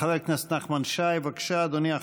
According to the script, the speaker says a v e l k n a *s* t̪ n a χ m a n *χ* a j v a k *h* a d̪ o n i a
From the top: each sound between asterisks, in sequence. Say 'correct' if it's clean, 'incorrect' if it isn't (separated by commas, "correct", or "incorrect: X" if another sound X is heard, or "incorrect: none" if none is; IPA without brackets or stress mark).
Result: correct, incorrect: ʃ, incorrect: ʃ